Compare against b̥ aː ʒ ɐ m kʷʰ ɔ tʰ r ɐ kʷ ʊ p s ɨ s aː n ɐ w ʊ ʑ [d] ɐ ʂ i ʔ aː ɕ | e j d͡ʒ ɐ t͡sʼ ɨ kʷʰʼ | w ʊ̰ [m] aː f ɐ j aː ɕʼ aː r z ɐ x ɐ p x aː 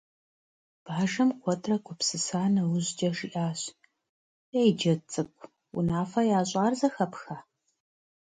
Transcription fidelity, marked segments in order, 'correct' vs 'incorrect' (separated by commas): incorrect, incorrect